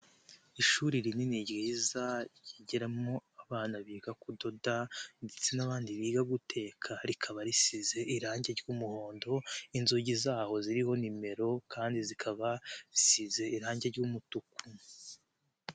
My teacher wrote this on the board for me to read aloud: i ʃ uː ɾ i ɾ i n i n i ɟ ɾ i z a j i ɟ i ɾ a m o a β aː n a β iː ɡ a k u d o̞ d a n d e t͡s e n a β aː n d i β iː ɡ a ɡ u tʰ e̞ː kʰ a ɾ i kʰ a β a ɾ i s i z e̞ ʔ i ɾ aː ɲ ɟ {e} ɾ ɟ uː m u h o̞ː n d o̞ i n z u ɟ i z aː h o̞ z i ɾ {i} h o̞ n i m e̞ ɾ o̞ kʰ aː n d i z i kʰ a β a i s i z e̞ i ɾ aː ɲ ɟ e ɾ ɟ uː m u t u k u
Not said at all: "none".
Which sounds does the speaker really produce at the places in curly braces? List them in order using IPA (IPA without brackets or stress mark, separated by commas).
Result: e, i